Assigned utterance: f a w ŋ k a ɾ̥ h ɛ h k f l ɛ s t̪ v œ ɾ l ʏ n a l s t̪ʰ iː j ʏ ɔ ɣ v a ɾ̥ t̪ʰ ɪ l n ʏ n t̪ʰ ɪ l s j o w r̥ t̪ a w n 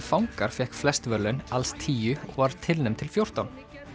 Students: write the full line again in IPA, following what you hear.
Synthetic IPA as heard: f a w ŋ k a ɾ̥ f ɛ h k f l ɛ s t̪ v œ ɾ l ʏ n a l s t̪ʰ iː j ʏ ɔ ɣ v a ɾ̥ t̪ʰ ɪ l n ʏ m t̪ʰ ɪ l f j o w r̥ t̪ a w n